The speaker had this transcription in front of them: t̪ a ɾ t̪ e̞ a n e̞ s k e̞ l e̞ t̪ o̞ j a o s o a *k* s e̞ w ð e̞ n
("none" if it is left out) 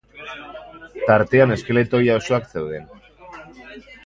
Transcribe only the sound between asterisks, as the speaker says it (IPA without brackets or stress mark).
k